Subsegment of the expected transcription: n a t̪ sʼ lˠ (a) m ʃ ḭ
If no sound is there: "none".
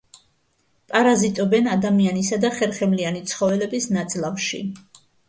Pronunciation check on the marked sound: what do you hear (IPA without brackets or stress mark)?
a